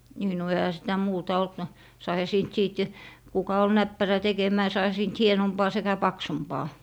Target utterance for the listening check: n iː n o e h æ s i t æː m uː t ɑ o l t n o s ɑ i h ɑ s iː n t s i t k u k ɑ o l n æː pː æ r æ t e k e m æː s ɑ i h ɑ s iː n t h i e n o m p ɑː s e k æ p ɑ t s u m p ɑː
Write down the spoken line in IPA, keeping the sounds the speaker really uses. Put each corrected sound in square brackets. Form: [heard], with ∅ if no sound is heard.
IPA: n iː n o e h æ s i t [æ] m uː t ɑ o l t n o s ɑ i h ɑ s iː n t s [iː] t k u k ɑ o l n [æ] pː æ r æ t e k e m æː s ɑ i h ɑ s iː n t h i e n o m p ɑː s e k æ p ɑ [k] s u m p ɑː